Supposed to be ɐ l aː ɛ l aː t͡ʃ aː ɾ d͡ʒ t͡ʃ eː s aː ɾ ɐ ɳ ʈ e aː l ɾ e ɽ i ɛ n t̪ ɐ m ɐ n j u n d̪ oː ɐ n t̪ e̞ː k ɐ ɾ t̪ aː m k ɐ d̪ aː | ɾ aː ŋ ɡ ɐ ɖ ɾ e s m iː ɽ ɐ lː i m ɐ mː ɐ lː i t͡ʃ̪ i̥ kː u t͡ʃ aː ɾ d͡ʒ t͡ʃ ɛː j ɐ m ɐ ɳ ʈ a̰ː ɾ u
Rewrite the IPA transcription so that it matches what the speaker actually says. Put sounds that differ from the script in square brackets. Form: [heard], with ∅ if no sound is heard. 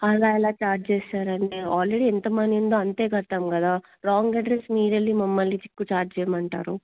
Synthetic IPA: ɐ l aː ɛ l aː t͡ʃ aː ɾ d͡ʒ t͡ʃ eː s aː ɾ ɐ ɳ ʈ e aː l ɾ e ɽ i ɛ n t̪ ɐ m ɐ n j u n d̪ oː ɐ n t̪ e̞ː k ɐ ɾ t̪ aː m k ɐ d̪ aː | ɾ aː ŋ ɡ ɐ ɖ ɾ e s m iː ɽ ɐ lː i m ɐ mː ɐ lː i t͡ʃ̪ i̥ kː u t͡ʃ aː ɾ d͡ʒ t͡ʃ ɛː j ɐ m ɐ ɳ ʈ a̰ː ɾ u